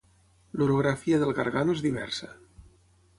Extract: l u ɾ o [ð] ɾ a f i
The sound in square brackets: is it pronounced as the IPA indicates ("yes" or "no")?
no